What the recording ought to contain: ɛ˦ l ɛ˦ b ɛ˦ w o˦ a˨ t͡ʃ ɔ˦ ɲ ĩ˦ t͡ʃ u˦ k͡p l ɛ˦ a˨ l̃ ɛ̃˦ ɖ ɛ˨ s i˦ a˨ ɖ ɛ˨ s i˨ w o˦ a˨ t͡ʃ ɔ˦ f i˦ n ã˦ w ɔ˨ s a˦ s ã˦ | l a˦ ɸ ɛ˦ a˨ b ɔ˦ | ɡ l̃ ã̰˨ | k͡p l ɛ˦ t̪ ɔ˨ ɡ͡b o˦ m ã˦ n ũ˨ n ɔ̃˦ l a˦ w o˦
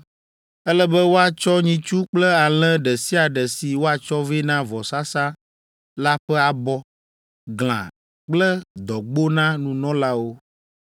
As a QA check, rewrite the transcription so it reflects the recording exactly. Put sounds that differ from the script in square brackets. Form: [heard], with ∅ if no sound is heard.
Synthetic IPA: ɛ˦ l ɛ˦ b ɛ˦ w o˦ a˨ t͡ʃ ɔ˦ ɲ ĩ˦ t͡ʃ u˦ k͡p l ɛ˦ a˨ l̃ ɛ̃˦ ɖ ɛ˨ s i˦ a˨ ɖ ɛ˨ s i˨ w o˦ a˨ t͡ʃ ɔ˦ [v] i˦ n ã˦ [v] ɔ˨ s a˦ s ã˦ | l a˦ ɸ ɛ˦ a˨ b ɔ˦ | ɡ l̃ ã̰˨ | k͡p l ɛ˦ [d̪] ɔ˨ ɡ͡b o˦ [n] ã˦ n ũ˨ n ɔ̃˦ l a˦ w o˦